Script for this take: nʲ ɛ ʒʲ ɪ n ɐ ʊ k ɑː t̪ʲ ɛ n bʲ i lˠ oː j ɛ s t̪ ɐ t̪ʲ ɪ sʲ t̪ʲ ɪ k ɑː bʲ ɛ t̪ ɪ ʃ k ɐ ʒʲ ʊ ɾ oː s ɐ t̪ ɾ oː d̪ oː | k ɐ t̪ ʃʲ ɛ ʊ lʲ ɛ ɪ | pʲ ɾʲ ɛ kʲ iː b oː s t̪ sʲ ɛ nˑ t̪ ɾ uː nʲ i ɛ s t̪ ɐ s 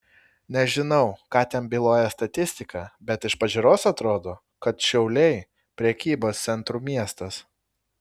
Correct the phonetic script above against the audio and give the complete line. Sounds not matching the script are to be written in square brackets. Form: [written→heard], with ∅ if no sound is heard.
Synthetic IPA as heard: nʲ ɛ ʒʲ ɪ n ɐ ʊ k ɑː t̪ʲ ɛ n bʲ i lˠ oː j ɛ s t̪ ɐ t̪ʲ ɪ sʲ t̪ʲ ɪ k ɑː bʲ ɛ t̪ ɪ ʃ [k→p] ɐ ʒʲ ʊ ɾ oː s ɐ t̪ ɾ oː d̪ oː | k ɐ t̪ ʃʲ ɛ ʊ lʲ ɛ ɪ | pʲ ɾʲ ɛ kʲ iː b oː s t̪ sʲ ɛ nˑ t̪ ɾ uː [nʲ→mʲ] i ɛ s t̪ ɐ s